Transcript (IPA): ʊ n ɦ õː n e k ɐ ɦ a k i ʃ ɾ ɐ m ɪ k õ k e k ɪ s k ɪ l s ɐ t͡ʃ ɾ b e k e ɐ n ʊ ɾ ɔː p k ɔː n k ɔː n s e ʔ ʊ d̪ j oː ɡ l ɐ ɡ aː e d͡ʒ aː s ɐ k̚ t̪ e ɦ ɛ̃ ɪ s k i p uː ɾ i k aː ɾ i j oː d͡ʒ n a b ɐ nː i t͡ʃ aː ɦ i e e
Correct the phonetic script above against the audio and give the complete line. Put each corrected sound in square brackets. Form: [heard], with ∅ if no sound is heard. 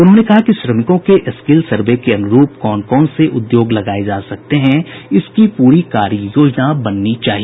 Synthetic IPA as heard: ʊ n ɦ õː n e k ɐ ɦ a k i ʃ ɾ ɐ m ɪ k õ k e [ʔ] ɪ s k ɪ l s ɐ [∅] ɾ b e k e ɐ n ʊ ɾ [uː] p k ɔː n k ɔː n s e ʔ ʊ d̪ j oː ɡ l ɐ ɡ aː e d͡ʒ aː s ɐ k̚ t̪ e ɦ ɛ̃ ɪ s k i p uː ɾ i k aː ɾ i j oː d͡ʒ n a b ɐ nː i t͡ʃ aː ɦ i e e